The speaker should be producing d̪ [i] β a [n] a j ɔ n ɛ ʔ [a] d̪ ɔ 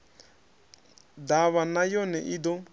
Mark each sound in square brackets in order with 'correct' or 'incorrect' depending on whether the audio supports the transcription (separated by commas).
incorrect, correct, incorrect